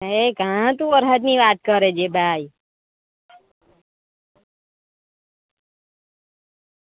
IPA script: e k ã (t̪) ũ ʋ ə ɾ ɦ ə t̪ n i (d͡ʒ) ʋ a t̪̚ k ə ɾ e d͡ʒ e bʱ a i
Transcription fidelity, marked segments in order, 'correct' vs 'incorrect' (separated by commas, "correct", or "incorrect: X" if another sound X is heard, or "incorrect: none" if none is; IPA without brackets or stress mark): correct, incorrect: none